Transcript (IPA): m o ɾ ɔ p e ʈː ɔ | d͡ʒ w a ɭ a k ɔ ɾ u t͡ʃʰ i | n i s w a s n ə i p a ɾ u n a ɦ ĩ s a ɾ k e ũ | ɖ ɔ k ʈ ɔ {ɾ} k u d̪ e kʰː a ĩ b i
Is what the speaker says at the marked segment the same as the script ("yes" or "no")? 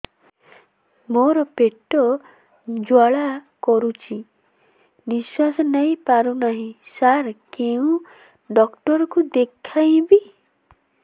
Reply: yes